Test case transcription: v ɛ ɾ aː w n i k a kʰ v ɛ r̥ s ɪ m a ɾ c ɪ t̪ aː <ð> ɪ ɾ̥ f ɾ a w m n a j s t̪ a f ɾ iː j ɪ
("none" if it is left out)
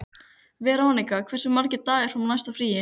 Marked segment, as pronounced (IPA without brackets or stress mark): ɣ